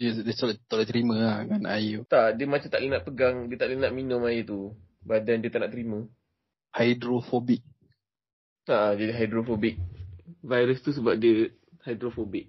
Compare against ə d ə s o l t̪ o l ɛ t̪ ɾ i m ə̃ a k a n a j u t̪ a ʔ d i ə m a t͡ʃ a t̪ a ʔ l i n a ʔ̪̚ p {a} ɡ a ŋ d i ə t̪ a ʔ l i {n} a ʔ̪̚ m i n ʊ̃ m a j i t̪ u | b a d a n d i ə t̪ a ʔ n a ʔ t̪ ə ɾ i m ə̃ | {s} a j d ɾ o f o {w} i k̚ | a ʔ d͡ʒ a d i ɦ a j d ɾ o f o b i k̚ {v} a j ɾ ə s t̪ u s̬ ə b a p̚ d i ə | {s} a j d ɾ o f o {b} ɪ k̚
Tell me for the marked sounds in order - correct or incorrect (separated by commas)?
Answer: incorrect, correct, incorrect, incorrect, correct, incorrect, correct